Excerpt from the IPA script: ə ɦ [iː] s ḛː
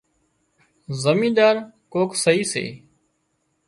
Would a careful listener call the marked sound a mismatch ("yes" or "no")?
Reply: no